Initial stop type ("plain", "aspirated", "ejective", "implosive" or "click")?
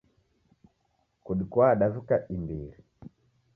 plain